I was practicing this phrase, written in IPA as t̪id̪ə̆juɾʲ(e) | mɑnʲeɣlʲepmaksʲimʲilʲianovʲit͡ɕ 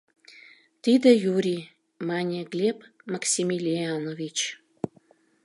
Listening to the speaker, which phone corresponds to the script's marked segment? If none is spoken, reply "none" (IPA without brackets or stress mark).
i